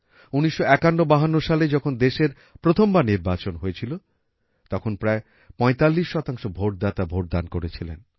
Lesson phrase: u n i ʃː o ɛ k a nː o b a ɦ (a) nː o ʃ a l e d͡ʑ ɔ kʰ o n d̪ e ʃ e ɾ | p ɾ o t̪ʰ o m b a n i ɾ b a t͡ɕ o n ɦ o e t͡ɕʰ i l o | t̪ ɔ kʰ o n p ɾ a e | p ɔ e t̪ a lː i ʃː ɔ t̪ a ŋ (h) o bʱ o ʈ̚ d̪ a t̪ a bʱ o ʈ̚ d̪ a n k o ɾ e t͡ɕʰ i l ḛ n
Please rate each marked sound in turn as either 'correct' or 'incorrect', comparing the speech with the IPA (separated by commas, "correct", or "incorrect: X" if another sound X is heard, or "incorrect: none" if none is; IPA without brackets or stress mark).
correct, incorrect: ʃ